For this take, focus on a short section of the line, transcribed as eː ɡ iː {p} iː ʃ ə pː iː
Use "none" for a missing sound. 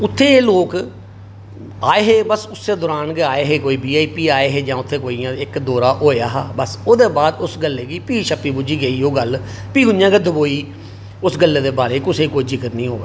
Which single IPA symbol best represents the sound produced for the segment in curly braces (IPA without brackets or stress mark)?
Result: p